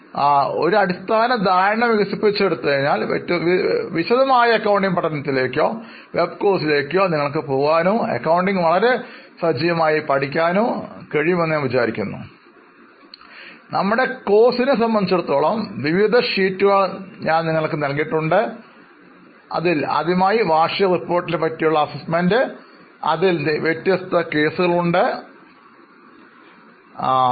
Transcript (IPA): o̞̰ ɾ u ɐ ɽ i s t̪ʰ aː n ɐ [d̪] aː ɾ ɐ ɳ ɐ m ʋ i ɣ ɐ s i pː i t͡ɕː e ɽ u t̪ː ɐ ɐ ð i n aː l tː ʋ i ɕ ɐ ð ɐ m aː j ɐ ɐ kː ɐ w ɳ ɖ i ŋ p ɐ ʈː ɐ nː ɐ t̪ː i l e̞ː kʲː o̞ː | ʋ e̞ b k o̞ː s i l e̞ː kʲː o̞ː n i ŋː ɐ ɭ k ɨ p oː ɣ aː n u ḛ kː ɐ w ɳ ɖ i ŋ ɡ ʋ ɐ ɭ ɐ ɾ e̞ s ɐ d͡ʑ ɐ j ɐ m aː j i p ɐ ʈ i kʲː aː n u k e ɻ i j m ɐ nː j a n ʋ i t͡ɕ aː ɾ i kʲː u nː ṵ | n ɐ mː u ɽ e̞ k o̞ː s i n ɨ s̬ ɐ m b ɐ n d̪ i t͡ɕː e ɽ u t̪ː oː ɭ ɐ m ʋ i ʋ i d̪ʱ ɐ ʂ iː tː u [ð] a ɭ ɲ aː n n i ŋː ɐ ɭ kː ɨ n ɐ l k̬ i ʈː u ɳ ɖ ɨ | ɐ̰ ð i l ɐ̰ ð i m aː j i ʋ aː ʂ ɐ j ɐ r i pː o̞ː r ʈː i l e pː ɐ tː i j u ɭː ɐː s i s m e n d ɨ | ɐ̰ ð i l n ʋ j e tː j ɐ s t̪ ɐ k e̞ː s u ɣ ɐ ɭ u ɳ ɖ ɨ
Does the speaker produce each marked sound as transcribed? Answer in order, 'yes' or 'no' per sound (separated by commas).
yes, no